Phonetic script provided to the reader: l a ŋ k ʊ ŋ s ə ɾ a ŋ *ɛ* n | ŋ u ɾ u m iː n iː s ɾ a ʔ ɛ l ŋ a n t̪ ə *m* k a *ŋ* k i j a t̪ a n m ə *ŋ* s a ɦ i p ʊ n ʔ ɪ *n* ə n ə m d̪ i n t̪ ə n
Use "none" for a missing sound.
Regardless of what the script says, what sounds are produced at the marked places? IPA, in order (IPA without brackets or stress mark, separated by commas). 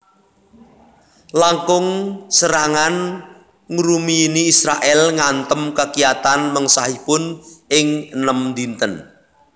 a, m, none, ŋ, ŋ